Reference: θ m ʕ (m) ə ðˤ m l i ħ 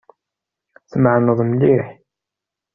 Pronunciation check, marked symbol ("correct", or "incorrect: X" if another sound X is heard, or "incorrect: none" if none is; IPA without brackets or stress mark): incorrect: n